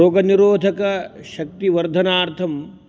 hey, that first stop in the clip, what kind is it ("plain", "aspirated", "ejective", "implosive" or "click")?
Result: plain